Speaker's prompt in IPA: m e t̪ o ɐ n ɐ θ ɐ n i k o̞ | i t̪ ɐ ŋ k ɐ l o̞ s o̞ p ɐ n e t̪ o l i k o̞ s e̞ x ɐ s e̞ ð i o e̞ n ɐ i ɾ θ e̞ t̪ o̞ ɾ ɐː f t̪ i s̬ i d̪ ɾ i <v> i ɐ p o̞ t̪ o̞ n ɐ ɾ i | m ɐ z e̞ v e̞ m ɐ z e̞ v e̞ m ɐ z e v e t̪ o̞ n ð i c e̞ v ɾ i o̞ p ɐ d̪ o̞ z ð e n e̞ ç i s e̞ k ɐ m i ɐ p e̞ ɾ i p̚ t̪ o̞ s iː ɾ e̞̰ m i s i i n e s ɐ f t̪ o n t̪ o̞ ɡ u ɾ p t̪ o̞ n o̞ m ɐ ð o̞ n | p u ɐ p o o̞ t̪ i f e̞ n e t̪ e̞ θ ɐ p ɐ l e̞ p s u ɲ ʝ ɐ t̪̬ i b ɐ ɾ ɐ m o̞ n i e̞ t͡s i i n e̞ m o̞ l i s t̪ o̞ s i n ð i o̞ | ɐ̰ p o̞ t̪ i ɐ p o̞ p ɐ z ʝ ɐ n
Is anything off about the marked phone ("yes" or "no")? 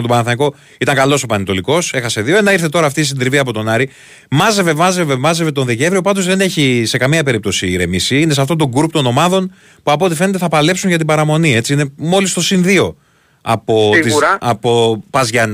no